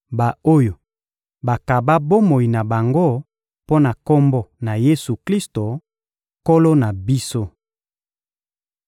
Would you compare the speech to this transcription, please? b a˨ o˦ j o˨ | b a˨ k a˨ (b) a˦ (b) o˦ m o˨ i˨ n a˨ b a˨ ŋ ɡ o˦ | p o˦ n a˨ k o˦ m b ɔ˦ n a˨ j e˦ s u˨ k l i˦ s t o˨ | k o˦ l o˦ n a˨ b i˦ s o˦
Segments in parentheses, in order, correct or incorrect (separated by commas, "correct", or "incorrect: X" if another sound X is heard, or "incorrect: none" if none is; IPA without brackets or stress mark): correct, correct